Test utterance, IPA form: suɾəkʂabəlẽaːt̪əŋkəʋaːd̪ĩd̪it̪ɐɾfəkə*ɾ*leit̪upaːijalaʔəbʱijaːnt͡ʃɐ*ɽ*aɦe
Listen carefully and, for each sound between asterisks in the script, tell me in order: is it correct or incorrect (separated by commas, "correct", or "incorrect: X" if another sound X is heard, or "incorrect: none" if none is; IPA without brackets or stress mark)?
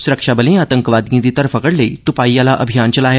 incorrect: ɽ, incorrect: l